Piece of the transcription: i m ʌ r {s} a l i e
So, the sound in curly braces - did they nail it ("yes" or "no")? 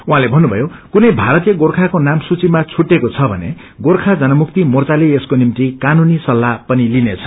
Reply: no